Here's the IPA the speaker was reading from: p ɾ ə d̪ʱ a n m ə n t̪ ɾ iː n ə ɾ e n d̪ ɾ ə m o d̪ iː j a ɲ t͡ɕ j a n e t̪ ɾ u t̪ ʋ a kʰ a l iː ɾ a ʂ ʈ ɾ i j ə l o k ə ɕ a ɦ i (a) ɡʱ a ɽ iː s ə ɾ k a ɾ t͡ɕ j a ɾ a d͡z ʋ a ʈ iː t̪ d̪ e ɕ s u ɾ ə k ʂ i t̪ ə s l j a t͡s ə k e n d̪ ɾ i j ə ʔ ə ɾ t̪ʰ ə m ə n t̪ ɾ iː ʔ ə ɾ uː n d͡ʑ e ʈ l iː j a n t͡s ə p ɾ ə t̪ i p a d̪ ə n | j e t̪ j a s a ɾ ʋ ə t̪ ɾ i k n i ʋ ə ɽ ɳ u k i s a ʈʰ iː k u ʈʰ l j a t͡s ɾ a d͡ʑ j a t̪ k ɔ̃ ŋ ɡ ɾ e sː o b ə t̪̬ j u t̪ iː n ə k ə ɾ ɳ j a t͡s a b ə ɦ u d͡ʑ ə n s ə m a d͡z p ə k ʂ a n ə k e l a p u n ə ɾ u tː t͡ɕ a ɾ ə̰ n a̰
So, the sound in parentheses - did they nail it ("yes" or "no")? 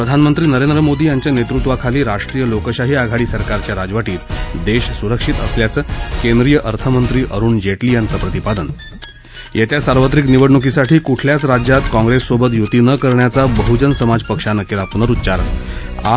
yes